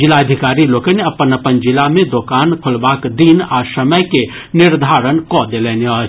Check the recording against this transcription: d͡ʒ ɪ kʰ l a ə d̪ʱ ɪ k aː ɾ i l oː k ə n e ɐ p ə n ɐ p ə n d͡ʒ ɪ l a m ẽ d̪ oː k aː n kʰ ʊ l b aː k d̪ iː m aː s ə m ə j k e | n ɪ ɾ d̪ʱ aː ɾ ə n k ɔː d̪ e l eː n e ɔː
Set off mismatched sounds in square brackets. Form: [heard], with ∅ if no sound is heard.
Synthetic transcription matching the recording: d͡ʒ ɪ [∅] l a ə d̪ʱ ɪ k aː ɾ i l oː k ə n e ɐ p ə n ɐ p ə n d͡ʒ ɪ l a m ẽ d̪ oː k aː n kʰ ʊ l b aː k d̪ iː [n] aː s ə m ə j k e | n ɪ ɾ d̪ʱ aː ɾ ə n k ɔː d̪ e l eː n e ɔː